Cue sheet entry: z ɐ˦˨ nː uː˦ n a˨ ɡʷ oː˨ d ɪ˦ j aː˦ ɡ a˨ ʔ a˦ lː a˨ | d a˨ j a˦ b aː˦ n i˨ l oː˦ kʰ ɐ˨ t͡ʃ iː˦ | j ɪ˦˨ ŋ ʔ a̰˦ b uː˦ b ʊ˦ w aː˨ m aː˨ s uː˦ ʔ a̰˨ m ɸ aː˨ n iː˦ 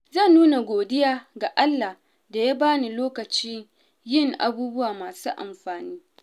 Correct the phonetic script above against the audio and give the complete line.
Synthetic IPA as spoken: z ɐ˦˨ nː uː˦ n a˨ ɡʷ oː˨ d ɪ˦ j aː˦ ɡ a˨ ʔ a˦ lː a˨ | d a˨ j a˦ b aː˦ n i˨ l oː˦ k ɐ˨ t͡ʃ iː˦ | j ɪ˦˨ ŋ ʔ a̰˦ b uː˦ b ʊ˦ w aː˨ m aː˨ s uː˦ ʔ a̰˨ m ɸ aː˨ n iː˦